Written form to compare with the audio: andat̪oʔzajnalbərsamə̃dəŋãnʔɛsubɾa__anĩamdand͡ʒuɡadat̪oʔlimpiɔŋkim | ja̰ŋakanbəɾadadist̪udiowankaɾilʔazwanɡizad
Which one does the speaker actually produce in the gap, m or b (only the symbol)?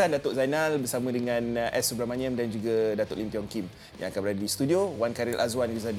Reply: m